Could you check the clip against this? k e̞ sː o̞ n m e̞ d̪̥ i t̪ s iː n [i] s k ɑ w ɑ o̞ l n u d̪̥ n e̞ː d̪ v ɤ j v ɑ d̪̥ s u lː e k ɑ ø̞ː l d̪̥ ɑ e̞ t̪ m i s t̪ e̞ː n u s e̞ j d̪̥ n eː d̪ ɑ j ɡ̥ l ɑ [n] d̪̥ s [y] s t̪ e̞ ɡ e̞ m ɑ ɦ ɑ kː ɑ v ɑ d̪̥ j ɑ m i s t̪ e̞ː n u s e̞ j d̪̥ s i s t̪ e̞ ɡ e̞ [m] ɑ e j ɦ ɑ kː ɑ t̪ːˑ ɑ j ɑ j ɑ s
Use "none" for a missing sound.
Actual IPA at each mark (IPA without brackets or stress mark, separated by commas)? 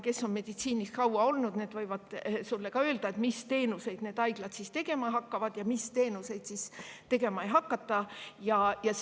i, none, i, m